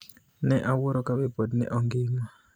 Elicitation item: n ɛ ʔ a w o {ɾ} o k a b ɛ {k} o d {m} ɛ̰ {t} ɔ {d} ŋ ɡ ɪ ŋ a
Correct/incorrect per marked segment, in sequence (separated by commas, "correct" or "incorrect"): correct, incorrect, incorrect, incorrect, incorrect